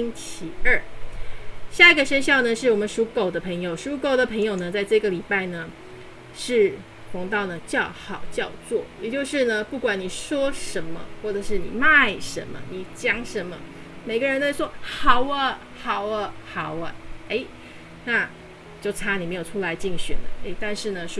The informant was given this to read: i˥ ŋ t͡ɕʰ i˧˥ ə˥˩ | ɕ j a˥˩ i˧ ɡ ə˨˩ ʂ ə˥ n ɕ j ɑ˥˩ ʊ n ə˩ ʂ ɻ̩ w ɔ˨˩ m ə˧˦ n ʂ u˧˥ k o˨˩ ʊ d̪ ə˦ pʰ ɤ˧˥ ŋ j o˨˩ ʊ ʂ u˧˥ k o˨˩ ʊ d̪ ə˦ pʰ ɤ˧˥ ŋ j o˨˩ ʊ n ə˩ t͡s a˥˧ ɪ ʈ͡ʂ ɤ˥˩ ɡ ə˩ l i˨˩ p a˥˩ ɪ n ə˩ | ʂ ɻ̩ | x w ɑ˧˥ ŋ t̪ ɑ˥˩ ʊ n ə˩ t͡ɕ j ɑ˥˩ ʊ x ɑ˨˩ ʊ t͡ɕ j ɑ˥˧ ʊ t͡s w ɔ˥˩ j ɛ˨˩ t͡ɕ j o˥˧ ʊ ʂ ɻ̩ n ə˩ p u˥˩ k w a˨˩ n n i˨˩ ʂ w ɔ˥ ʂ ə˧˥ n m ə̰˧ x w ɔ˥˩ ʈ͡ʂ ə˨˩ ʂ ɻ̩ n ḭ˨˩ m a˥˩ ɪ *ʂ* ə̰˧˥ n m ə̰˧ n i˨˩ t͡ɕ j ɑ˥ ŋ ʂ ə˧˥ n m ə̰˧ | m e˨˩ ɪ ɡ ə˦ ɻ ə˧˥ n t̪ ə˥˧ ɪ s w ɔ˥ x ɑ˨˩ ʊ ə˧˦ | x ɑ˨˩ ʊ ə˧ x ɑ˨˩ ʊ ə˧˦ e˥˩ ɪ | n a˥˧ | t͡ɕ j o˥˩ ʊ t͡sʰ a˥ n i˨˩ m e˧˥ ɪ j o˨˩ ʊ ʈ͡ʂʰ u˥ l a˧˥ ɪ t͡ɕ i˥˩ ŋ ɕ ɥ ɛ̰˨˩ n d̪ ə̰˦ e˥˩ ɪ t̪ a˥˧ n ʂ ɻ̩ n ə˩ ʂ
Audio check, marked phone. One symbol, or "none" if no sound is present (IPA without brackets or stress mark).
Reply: ʂ